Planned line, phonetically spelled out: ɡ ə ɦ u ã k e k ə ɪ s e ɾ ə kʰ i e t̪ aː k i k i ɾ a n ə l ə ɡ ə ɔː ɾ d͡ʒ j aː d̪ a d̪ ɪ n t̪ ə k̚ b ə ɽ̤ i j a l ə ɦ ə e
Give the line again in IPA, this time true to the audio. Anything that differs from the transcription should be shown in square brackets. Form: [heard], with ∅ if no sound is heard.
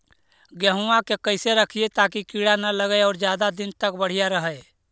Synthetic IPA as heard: ɡ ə ɦ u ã k e k ə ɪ s e ɾ ə kʰ i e t̪ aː k i k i [ɽ] a n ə l ə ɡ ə ɔː ɾ d͡ʒ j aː d̪ a d̪ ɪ n t̪ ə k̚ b ə ɽ̤ i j a [ɾ] ə ɦ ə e